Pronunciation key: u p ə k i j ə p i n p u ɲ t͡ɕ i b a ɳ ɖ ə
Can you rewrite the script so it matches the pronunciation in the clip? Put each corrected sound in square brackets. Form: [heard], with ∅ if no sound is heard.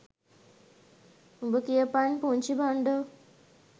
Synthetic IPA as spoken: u [b] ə k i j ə p [a] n p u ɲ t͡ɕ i b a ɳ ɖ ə